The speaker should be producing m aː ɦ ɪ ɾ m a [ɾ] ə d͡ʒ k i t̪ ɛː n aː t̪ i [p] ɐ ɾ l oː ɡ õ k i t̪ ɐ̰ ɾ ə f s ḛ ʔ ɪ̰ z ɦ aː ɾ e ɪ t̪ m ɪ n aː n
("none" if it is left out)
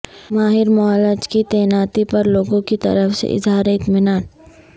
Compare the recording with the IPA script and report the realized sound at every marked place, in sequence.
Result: l, p

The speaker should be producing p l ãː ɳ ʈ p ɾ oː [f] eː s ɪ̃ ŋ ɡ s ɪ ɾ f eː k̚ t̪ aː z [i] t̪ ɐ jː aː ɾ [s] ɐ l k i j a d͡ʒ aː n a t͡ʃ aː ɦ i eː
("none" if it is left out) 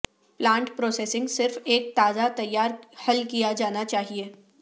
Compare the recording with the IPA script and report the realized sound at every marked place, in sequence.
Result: s, a, h

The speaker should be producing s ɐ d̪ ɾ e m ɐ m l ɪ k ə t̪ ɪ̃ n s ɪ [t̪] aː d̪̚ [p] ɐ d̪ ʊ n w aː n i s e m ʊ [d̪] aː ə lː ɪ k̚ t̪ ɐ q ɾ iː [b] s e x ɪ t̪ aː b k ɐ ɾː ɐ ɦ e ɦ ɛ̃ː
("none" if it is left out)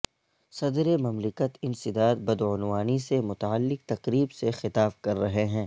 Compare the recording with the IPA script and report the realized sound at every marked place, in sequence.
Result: d̪, b, t̪, b

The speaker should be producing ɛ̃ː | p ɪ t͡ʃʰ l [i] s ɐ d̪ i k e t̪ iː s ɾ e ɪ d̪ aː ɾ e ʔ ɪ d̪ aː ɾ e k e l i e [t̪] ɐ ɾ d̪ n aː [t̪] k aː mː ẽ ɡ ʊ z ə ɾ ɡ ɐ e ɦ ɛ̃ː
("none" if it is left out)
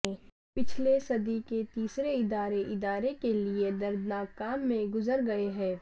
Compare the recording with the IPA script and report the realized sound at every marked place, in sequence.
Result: e, d̪, none

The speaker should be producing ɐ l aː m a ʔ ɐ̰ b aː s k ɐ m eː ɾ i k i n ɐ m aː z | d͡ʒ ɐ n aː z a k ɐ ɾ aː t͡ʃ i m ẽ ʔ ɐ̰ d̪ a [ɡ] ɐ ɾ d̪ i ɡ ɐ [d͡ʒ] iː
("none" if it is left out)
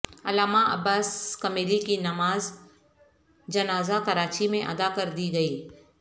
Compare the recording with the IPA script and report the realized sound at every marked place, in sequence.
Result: k, none

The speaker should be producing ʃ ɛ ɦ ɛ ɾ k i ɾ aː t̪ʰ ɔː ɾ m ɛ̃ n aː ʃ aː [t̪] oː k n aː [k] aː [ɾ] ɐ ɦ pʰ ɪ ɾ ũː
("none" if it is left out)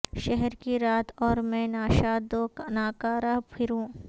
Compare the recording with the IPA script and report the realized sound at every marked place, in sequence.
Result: d̪, k, ɾ

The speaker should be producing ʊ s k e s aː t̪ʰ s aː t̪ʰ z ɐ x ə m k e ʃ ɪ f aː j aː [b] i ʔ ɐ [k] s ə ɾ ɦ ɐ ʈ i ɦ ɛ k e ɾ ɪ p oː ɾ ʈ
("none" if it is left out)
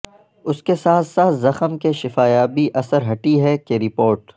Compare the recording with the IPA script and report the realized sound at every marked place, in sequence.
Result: b, none

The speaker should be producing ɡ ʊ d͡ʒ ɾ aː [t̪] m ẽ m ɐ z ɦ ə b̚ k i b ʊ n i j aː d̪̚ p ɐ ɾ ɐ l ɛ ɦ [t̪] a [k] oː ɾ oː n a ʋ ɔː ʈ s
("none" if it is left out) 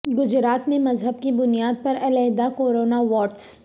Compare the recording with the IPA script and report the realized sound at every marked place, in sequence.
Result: t̪, d̪, k

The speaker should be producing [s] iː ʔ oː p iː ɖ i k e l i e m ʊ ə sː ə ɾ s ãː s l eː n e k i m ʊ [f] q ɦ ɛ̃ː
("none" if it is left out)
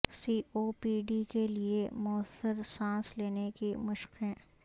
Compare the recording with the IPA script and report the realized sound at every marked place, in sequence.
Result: s, ʃ

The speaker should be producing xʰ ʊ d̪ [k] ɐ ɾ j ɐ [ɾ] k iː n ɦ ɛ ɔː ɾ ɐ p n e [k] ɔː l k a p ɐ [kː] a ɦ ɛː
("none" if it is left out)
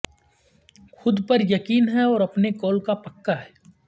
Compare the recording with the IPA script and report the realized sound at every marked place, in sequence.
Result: p, none, k, kː

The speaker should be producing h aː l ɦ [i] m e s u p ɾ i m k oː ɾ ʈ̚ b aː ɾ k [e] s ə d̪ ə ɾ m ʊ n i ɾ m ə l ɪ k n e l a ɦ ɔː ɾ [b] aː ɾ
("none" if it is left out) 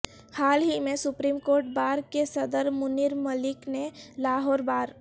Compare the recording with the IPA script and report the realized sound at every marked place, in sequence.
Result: i, e, b

